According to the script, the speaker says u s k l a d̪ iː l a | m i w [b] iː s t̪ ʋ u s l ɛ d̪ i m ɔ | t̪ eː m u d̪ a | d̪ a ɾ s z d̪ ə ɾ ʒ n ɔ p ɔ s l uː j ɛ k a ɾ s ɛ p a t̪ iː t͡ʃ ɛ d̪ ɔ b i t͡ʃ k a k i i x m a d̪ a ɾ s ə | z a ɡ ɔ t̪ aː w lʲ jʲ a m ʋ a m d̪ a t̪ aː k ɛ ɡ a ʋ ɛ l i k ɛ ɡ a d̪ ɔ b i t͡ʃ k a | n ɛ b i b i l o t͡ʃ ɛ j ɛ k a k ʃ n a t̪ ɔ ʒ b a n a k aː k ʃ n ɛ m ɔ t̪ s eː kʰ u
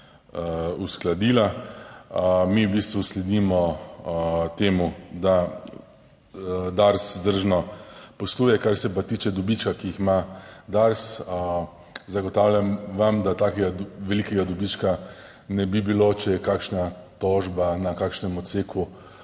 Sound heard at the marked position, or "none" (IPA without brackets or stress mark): b